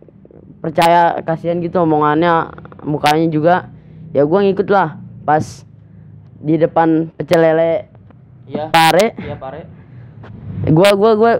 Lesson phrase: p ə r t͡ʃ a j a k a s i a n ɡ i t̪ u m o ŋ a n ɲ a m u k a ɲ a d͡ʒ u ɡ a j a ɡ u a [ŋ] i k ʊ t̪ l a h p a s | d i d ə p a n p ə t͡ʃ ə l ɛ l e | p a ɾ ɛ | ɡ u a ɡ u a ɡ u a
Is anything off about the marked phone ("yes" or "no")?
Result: no